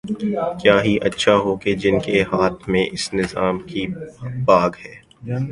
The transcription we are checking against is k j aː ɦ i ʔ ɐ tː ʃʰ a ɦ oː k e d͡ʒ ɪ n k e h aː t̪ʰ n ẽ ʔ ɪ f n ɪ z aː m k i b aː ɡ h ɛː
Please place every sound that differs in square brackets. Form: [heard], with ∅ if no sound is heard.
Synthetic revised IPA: k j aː ɦ i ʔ ɐ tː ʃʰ a ɦ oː k e d͡ʒ ɪ n k e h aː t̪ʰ [m] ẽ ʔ ɪ [s] n ɪ z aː m k i b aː ɡ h ɛː